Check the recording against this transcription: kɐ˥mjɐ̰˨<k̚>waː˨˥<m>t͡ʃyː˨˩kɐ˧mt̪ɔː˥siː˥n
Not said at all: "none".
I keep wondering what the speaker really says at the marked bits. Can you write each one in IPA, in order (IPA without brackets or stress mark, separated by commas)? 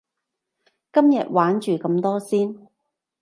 t̚, n